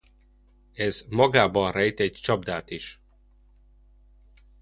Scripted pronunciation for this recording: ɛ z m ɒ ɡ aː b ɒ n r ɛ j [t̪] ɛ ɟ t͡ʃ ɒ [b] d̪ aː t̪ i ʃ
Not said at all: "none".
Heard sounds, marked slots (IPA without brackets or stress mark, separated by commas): t̪, b